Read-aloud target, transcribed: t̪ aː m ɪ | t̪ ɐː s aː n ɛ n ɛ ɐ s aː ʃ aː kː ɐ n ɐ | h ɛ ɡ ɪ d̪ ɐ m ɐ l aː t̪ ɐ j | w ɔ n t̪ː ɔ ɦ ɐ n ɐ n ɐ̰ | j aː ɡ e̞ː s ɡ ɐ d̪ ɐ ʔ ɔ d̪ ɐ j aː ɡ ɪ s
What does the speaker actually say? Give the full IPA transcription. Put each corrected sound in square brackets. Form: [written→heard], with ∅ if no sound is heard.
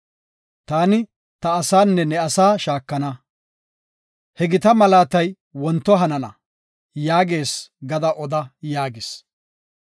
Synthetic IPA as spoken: t̪ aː [m→n] ɪ | t̪ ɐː s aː [n→nː] ɛ n ɛ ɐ s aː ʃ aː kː ɐ n ɐ | h ɛ ɡ ɪ [d̪→t̪] ɐ m ɐ l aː t̪ ɐ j | w ɔ n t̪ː ɔ ɦ ɐ n ɐ n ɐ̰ | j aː ɡ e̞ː s ɡ ɐ d̪ ɐ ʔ ɔ d̪ ɐ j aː ɡ ɪ s

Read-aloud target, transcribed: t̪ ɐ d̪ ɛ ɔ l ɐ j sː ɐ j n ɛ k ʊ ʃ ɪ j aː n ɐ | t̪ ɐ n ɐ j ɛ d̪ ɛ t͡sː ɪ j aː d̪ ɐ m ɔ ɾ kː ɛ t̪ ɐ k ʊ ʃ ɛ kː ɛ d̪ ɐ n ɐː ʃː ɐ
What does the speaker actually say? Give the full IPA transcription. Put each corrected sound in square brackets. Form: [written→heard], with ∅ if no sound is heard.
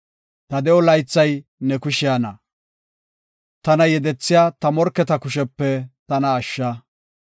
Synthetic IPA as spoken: t̪ ɐ d̪ ɛ ɔ l ɐ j [sː→t͡sː] ɐ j n ɛ k ʊ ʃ ɪ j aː n ɐ | t̪ ɐ n ɐ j ɛ d̪ ɛ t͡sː ɪ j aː [d̪→t̪] ɐ m ɔ ɾ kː ɛ t̪ ɐ k ʊ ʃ ɛ [kː→pː] ɛ [d̪→t̪] ɐ n ɐː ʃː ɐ

